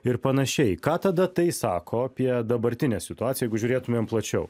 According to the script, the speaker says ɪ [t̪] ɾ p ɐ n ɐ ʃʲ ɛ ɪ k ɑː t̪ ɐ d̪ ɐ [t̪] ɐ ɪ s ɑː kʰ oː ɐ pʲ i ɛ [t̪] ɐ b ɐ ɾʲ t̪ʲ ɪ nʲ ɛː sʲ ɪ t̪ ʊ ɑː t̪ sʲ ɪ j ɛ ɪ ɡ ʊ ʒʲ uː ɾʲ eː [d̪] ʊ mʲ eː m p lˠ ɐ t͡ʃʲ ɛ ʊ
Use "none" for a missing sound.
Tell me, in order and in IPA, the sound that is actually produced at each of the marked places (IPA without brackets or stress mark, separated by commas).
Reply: none, t̪, d̪, t̪